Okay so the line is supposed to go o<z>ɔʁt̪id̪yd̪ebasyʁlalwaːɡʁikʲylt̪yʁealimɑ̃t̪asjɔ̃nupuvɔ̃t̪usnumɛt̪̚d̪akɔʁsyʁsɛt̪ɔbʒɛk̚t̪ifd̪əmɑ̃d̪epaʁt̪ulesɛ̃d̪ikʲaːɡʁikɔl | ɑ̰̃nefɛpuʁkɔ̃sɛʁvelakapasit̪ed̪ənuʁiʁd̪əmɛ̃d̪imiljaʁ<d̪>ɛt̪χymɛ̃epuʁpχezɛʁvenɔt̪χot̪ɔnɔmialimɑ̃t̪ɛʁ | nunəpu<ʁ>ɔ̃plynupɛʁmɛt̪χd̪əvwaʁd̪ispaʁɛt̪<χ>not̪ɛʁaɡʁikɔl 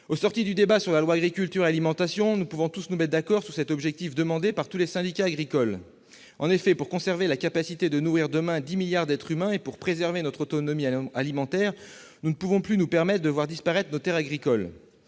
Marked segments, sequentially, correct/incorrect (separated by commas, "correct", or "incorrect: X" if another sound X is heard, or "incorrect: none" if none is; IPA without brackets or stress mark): incorrect: s, correct, incorrect: v, correct